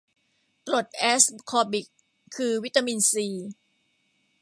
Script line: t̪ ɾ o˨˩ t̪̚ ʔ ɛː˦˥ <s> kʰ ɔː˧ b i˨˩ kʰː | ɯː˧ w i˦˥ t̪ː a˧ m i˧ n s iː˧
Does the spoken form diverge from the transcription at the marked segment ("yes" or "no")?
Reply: no